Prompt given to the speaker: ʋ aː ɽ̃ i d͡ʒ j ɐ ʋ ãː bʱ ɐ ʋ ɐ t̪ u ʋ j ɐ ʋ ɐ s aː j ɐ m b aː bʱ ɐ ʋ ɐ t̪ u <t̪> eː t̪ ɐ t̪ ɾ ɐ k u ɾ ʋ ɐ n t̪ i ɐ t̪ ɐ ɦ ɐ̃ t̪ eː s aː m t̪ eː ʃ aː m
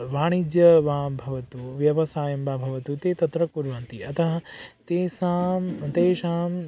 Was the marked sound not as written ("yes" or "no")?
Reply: no